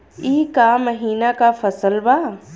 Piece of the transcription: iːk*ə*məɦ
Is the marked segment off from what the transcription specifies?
yes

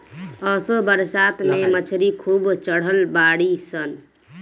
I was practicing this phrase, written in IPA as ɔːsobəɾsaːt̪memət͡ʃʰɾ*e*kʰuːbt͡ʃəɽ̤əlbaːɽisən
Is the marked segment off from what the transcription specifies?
yes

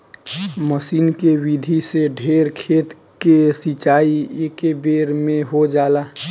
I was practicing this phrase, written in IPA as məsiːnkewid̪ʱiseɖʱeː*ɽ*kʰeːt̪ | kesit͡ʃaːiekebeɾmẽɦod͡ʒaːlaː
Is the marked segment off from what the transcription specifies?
yes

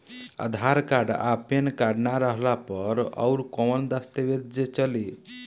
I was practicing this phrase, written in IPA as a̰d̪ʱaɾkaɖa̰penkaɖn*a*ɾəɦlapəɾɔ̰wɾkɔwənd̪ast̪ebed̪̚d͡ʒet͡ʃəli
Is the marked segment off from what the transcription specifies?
no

